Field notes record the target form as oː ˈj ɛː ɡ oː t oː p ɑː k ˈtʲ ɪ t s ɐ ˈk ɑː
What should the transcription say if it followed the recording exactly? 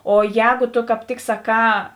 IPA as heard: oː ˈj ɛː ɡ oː t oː k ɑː p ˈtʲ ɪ k s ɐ ˈk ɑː